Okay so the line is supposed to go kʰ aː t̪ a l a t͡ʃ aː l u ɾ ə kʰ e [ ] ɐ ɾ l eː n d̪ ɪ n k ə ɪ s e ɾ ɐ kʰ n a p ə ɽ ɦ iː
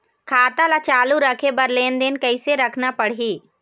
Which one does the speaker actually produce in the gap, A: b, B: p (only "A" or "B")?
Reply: A